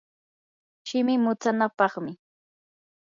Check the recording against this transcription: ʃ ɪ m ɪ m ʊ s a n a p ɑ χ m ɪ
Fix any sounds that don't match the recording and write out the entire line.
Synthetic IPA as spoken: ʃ ɪ m ɪ m ʊ t͡s a n a p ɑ χ m ɪ